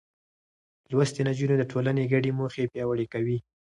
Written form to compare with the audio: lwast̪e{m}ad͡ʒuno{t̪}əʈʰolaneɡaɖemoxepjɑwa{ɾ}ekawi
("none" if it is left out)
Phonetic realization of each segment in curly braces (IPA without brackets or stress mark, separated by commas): n, d̪, ɽ